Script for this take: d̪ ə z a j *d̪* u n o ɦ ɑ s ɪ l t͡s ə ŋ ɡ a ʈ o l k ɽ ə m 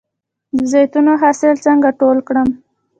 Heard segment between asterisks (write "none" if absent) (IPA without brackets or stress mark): t̪